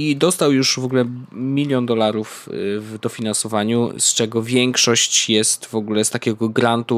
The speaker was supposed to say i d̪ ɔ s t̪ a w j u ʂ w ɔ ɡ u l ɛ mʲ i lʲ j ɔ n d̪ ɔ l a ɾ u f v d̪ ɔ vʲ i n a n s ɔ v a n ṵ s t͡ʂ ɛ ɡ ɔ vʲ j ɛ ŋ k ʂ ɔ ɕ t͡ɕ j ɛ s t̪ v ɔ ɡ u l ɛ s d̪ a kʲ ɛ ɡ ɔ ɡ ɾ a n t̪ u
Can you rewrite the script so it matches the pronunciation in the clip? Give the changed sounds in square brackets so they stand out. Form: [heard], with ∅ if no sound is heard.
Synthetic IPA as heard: i d̪ ɔ s t̪ a w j u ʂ [v] ɔ ɡ u l ɛ mʲ i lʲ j ɔ n d̪ ɔ l a ɾ u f v d̪ ɔ [fʲ] i n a n s ɔ v a [ɲ] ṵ s t͡ʂ ɛ ɡ ɔ vʲ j ɛ ŋ k ʂ ɔ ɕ t͡ɕ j ɛ s t̪ v ɔ ɡ u l ɛ s [t̪] a kʲ ɛ ɡ ɔ ɡ ɾ a n t̪ u